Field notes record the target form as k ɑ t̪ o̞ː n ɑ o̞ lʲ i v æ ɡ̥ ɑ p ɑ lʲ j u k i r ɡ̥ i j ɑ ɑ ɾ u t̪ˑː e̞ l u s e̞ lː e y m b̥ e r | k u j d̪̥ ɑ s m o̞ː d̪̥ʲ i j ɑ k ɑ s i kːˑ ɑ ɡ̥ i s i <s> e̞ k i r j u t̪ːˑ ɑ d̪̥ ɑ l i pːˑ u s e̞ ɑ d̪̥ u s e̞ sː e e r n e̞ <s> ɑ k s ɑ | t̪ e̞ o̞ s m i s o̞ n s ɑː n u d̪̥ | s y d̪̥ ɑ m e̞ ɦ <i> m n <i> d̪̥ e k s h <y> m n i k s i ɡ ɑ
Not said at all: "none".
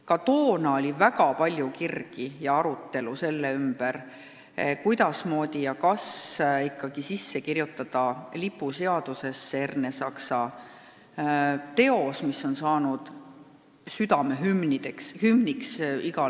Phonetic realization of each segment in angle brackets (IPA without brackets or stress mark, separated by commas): sː, s, y, i, y